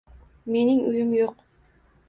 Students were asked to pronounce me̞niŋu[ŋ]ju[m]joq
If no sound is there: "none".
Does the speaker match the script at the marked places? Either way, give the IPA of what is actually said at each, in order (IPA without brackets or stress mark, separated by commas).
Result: none, m